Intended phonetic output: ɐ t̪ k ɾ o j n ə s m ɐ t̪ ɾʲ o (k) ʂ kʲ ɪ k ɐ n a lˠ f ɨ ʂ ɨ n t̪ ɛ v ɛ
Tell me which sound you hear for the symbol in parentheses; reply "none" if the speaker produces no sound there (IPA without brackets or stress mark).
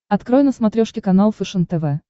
none